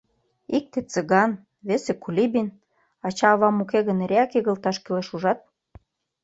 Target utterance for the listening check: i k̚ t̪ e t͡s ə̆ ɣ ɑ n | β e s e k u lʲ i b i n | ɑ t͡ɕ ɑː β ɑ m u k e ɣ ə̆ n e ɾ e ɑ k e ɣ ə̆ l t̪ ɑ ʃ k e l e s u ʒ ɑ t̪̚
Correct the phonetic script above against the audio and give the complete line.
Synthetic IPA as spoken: i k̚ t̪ e t͡s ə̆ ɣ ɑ n | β e s e k u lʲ i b i n | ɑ t͡ɕ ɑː β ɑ m u k e ɣ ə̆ n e ɾ e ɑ k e ɣ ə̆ l t̪ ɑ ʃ k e l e ʃ u ʒ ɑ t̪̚